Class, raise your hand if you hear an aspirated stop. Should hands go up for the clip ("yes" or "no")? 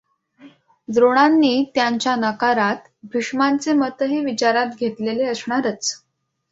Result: no